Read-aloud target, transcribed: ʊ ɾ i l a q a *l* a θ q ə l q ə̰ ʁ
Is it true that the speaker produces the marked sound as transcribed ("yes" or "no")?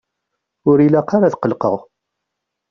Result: no